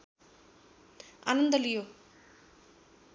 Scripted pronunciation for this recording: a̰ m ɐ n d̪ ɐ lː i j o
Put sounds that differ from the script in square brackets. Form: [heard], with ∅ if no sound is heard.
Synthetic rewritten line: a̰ [n] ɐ n d̪ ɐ [l] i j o